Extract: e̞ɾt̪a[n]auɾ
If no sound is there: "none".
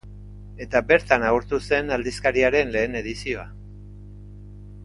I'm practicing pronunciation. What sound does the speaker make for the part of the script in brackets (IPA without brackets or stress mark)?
n